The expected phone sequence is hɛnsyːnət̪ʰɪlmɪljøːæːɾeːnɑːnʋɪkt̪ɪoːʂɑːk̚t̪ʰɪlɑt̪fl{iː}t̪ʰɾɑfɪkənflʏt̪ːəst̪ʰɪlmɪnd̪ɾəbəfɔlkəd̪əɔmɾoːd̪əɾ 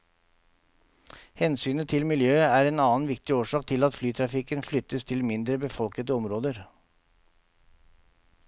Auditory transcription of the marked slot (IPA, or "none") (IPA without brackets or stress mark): yː